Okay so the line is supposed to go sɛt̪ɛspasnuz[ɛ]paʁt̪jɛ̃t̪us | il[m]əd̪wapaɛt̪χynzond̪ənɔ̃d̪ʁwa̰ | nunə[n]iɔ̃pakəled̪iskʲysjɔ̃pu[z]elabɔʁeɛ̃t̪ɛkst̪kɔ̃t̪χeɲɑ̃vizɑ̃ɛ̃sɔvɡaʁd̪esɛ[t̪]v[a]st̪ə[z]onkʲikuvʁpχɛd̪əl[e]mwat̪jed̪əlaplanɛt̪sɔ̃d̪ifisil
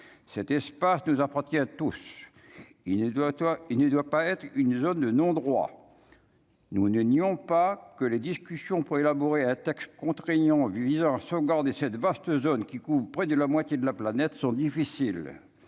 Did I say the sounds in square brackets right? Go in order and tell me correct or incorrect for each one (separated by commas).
incorrect, incorrect, correct, incorrect, correct, correct, correct, incorrect